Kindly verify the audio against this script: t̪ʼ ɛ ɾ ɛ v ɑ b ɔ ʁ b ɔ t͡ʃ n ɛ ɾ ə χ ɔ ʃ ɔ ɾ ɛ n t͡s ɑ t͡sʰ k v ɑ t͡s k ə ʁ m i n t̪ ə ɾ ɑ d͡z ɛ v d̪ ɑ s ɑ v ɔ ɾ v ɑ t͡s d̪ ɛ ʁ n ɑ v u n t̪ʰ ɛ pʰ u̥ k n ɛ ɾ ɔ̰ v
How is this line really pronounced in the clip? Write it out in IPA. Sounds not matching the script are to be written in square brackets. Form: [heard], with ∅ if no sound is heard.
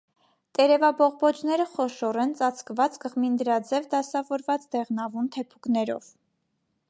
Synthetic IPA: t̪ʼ ɛ ɾ ɛ v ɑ b ɔ ʁ b ɔ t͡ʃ n ɛ ɾ ə χ ɔ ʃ ɔ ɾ ɛ n t͡s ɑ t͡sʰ k v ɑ t͡s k ə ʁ m i n [d̪] ə ɾ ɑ d͡z ɛ v d̪ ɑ s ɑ v ɔ ɾ v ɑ t͡s d̪ ɛ ʁ n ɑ v u n t̪ʰ ɛ pʰ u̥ k n ɛ ɾ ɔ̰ v